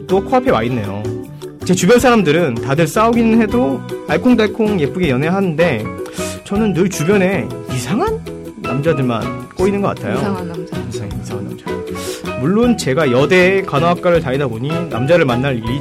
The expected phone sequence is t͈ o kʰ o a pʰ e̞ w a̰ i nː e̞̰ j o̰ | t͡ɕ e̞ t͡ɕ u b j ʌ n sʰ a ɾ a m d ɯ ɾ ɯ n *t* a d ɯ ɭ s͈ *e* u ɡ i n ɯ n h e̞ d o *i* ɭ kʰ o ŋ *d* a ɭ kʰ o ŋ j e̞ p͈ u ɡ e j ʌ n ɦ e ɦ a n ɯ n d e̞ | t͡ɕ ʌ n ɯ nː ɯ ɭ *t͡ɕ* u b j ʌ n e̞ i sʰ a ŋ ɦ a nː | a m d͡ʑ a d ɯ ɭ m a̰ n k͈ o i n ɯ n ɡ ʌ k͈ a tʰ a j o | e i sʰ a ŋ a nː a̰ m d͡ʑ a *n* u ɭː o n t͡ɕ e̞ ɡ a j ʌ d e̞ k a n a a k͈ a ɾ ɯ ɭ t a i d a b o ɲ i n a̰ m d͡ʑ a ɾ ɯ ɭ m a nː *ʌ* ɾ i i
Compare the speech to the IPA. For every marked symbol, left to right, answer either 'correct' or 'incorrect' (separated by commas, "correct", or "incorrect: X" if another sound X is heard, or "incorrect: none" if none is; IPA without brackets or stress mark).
correct, incorrect: a, incorrect: a, correct, correct, incorrect: m, incorrect: a